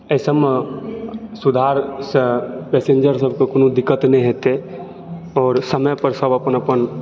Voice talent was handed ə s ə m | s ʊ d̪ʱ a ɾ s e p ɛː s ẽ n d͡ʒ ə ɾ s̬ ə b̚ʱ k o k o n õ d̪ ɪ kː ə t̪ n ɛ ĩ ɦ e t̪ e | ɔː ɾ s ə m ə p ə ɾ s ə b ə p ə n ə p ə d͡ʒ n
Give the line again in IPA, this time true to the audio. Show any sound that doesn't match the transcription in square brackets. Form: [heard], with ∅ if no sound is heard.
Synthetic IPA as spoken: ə s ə m | s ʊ d̪ʱ a ɾ s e p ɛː s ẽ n d͡ʒ ə ɾ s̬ ə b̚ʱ k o k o n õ d̪ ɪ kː ə t̪ n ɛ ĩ ɦ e t̪ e | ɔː ɾ s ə m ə p ə ɾ s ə b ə p ə n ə p ə [∅] n